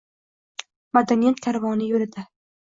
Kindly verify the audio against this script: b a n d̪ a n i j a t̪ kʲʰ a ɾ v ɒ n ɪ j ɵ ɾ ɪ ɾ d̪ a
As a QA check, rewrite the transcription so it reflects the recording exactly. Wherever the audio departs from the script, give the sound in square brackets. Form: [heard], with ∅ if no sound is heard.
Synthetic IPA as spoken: [m] a [∅] d̪ a n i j a t̪ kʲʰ a ɾ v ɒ n ɪ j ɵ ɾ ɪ [∅] d̪ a